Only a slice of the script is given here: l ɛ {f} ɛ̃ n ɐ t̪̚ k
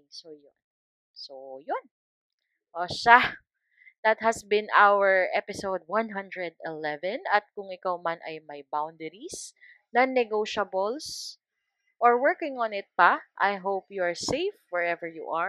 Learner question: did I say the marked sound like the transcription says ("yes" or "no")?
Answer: no